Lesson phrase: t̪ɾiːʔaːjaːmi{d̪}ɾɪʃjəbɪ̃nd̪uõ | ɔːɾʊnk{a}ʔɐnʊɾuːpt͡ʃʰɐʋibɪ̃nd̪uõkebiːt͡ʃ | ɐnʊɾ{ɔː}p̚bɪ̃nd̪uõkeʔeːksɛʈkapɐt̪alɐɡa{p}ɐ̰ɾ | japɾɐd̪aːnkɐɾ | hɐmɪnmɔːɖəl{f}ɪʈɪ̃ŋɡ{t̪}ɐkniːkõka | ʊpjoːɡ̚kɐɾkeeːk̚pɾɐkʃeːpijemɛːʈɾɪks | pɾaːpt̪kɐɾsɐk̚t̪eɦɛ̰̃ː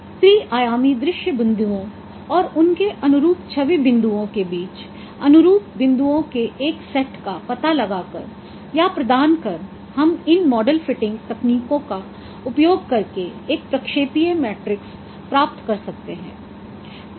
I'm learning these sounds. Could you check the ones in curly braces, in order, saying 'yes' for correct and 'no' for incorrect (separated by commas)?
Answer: yes, no, no, no, yes, yes